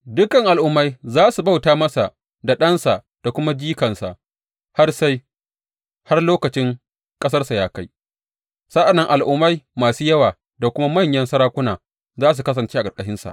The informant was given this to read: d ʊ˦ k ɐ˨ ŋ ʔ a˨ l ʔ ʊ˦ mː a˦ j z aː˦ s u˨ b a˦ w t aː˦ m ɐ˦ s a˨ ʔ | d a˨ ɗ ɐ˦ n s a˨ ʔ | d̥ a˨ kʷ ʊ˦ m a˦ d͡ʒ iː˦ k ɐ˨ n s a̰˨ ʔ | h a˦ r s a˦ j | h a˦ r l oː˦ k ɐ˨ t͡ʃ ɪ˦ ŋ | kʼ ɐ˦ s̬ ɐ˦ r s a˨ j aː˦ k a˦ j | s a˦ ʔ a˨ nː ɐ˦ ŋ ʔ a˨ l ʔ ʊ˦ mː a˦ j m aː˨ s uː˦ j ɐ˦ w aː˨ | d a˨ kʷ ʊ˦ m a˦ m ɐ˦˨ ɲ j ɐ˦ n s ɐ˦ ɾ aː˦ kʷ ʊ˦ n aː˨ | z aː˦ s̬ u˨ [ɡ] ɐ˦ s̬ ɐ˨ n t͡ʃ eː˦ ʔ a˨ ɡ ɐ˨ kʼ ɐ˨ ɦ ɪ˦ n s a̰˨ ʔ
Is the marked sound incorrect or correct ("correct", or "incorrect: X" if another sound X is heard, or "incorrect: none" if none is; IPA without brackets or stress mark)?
incorrect: k